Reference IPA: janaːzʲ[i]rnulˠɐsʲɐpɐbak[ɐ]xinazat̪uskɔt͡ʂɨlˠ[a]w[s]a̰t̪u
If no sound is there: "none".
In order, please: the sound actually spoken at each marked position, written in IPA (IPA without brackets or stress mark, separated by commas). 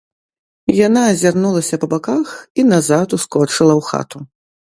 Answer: a, a, ɐ, x